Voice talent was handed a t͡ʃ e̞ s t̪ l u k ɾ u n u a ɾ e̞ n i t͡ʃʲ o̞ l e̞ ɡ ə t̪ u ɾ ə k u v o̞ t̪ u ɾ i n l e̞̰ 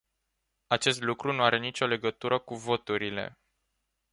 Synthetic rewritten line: a t͡ʃ e̞ s t̪ l u k ɾ u n u a ɾ e̞ n i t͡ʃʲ o̞ l e̞ ɡ ə t̪ u ɾ ə k u v o̞ t̪ u ɾ i l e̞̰